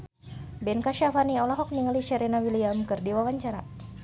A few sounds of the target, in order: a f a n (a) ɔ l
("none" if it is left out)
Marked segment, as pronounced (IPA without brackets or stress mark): i